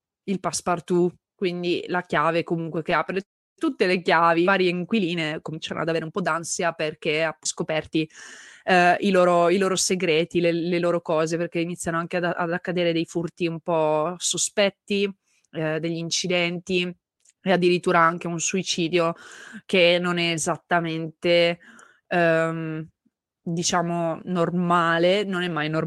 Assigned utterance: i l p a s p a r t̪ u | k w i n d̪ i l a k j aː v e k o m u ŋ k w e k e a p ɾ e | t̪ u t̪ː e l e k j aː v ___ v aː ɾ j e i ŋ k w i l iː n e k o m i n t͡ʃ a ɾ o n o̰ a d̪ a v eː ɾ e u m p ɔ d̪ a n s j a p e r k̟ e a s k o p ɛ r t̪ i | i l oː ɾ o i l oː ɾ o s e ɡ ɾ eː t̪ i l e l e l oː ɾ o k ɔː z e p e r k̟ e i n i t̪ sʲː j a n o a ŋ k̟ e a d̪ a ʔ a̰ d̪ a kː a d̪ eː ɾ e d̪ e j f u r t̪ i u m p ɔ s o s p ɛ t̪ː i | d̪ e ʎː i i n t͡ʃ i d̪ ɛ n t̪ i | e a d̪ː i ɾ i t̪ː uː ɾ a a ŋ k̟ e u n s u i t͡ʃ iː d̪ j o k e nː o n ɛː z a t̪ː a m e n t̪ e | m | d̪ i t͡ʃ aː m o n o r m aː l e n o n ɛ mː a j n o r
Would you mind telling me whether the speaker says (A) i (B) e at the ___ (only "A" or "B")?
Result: A